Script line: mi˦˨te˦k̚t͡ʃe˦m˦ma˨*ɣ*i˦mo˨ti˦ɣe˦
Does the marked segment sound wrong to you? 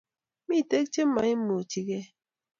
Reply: yes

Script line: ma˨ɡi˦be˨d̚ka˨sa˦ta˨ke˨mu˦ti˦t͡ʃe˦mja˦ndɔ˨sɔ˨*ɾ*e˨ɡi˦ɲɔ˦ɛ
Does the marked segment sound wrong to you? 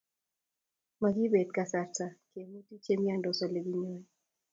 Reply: yes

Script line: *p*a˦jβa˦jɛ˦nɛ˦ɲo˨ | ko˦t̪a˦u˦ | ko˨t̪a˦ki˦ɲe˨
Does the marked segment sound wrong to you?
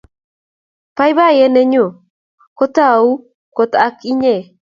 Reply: no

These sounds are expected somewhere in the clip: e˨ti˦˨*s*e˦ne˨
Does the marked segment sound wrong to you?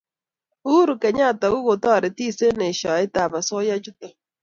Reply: no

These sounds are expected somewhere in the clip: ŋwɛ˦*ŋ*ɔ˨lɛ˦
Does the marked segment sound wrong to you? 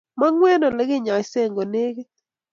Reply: yes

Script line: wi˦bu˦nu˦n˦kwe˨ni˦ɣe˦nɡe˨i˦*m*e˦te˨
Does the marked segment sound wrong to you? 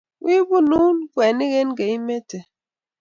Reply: no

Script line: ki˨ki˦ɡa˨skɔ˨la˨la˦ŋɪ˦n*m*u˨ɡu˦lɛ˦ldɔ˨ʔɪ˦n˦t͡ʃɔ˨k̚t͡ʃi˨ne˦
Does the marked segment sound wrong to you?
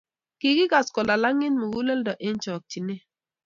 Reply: no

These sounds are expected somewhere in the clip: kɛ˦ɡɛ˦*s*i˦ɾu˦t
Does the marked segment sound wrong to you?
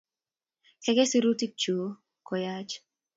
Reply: no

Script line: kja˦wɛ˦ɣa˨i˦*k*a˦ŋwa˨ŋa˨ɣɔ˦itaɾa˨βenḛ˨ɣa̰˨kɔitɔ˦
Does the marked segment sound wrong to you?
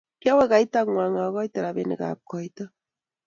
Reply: yes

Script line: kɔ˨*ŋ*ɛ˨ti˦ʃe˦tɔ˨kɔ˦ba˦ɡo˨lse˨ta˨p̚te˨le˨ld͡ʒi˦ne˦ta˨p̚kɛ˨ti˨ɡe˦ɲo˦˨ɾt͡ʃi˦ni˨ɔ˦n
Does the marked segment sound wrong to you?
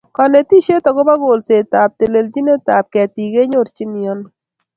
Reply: yes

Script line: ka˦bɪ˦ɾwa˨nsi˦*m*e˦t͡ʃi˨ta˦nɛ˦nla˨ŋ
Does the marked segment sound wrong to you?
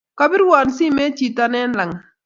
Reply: no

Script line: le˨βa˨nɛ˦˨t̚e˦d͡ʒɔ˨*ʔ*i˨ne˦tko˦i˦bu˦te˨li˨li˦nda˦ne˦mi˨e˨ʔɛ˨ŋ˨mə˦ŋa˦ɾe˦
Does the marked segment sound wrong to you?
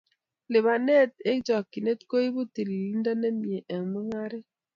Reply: yes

